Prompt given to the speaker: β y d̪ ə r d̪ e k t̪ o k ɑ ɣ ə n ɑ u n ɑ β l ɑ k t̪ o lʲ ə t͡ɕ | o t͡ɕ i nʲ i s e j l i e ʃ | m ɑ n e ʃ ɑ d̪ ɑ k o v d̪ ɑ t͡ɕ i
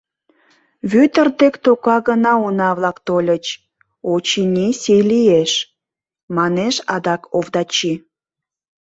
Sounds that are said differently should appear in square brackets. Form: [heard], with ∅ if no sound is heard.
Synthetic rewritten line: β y [t̪] ə r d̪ e k t̪ o k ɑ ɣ ə n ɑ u n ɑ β l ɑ k t̪ o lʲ ə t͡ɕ | o t͡ɕ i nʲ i s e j l i e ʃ | m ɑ n e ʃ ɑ d̪ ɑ k o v d̪ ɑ t͡ɕ i